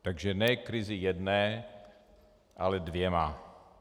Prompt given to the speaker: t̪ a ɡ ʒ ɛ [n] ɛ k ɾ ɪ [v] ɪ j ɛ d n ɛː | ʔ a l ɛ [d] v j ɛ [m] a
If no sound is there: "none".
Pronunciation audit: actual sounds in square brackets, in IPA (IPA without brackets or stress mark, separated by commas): n, z, d, m